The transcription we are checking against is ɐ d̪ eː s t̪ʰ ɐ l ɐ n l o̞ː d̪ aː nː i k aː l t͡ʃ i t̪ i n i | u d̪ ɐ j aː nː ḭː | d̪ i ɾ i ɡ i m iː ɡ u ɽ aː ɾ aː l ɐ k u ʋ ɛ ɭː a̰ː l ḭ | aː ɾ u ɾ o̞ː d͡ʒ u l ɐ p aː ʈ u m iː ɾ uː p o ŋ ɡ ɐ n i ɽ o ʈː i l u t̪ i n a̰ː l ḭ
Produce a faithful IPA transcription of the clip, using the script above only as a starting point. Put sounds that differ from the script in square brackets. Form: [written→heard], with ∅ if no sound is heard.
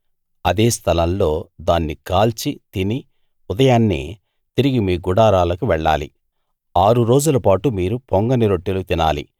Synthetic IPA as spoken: ɐ d̪ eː s t̪ʰ ɐ l ɐ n l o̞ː d̪ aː nː i k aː l t͡ʃ i t̪ i n i | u d̪ ɐ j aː nː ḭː | [d̪→t̪] i ɾ i ɡ i m iː ɡ u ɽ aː ɾ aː l ɐ k u ʋ ɛ ɭː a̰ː l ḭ | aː ɾ u ɾ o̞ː d͡ʒ u l ɐ p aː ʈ u m iː ɾ [uː→u] p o ŋ ɡ ɐ n i [ɽ→ɾ] o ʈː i l u t̪ i n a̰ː l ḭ

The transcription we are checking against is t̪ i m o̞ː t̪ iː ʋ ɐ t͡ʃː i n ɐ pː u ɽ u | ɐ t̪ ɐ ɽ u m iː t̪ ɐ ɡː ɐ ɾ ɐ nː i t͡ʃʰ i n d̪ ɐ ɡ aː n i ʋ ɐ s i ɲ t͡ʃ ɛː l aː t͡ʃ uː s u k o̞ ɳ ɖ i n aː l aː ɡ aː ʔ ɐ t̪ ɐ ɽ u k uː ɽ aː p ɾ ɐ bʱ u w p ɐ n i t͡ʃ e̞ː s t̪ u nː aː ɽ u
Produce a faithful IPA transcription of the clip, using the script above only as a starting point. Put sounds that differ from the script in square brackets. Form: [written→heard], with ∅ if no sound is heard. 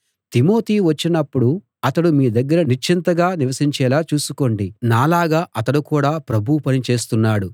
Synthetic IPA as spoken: t̪ i m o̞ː t̪ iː ʋ ɐ t͡ʃː i n ɐ pː u ɽ u | ɐ t̪ ɐ ɽ u m iː [t̪→d̪] ɐ ɡː ɐ ɾ ɐ [nː→n] i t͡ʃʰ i n [d̪→t̪] ɐ ɡ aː n i ʋ ɐ s i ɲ t͡ʃ ɛː l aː t͡ʃ uː s u k o̞ ɳ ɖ i n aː l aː ɡ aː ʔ ɐ t̪ ɐ ɽ u k uː ɽ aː p ɾ ɐ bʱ u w p ɐ n i t͡ʃ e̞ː s t̪ u nː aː ɽ u

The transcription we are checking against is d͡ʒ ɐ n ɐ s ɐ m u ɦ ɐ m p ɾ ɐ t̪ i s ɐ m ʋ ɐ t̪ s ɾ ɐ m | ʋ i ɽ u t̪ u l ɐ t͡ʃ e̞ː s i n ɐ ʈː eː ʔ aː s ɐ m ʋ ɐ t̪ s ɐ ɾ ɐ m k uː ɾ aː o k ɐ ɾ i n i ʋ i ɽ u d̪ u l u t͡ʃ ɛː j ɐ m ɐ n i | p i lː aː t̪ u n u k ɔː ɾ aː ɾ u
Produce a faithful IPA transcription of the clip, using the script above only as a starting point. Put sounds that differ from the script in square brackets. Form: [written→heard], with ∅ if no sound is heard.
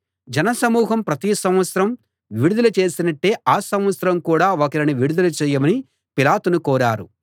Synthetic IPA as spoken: d͡ʒ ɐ n ɐ s ɐ m [u→uː] ɦ ɐ m p ɾ ɐ t̪ i s ɐ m ʋ ɐ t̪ s ɾ ɐ m | ʋ i ɽ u [t̪→d̪] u l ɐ t͡ʃ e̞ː s i n ɐ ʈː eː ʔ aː s ɐ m ʋ ɐ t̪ s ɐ ɾ ɐ m k uː [ɾ→ɽ] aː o k ɐ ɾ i n i ʋ i ɽ u d̪ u l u t͡ʃ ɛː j ɐ m ɐ n i | p i [lː→l] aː t̪ u n u k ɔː ɾ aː ɾ u

